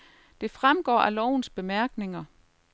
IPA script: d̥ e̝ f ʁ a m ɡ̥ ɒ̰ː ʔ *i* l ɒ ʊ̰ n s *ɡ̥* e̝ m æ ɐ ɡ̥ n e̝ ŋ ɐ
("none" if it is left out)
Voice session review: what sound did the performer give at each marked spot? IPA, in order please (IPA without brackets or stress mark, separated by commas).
æ, b̥